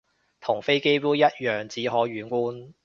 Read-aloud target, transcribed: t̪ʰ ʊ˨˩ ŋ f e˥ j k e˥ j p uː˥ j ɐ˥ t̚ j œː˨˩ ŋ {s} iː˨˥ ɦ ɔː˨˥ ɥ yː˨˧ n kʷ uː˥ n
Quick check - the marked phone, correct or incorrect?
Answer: incorrect